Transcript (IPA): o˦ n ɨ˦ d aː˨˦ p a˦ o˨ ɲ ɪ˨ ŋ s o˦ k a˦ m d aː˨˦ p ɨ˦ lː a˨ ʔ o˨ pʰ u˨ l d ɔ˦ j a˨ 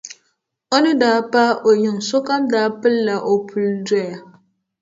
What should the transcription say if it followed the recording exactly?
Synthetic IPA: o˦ n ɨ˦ d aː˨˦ p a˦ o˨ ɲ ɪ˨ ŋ s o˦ k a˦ m d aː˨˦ p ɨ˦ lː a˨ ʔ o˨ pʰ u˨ l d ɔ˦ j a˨